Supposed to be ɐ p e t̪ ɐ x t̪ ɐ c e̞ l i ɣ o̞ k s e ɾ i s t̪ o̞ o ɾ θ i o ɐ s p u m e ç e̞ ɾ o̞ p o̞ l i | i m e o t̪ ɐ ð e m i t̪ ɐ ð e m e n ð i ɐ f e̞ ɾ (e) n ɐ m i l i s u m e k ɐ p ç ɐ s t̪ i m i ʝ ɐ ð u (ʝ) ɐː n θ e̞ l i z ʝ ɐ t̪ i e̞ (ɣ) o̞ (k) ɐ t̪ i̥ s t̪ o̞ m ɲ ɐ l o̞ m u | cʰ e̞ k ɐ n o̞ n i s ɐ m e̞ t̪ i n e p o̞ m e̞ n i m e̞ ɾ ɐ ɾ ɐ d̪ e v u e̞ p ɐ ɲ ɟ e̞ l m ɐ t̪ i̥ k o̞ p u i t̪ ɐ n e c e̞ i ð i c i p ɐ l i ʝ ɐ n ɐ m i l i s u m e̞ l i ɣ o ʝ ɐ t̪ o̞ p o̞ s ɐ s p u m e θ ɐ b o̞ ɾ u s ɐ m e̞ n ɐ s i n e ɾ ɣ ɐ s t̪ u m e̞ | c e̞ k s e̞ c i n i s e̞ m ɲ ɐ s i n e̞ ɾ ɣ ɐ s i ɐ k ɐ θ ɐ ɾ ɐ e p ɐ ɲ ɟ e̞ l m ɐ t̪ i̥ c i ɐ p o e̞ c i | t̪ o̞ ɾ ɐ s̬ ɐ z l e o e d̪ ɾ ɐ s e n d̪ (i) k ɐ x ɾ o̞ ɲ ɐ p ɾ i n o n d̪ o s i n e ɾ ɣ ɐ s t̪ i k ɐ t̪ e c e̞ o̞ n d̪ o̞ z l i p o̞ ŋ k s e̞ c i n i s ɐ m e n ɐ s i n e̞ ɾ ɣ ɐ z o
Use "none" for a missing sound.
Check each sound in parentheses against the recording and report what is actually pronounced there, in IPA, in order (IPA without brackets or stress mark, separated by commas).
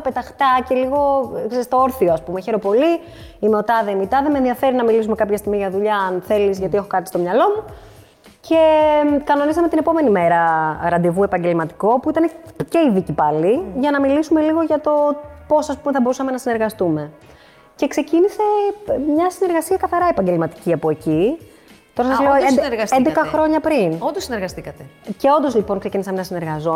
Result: i, ʎ, x, k, e